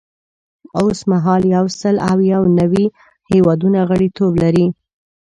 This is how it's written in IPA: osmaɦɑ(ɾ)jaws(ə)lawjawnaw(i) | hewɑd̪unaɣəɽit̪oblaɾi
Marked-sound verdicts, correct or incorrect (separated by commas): incorrect, correct, correct